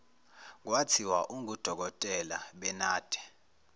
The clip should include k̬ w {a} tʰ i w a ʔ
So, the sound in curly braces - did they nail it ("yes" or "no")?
yes